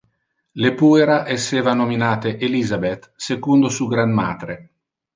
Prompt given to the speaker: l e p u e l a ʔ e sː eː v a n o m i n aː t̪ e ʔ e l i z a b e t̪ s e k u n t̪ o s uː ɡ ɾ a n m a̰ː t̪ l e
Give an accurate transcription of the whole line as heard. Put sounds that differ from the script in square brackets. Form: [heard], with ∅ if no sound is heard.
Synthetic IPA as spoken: l e p u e [ɾ] a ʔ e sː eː v a n o m i n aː t̪ e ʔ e l i z a b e t̪ s e k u n [d̪] o s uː ɡ ɾ a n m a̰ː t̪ [ɾ] e